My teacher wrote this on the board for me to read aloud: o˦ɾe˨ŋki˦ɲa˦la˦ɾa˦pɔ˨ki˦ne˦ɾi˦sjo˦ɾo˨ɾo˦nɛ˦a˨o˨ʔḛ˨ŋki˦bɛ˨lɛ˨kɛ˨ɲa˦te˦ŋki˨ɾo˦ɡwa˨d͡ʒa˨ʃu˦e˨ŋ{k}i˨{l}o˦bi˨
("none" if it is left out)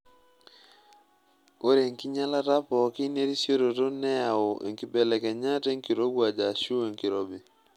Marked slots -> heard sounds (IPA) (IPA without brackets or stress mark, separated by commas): k, ɾ